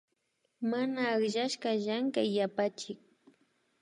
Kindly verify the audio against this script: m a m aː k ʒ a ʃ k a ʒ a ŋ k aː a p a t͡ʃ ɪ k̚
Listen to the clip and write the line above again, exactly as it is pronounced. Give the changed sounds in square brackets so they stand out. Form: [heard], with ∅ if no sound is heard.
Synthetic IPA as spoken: m a [n] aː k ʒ a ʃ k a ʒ a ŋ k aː a p a t͡ʃ ɪ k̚